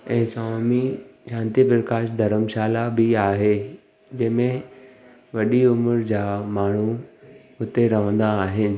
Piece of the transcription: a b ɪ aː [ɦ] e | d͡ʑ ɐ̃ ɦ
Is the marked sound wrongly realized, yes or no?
no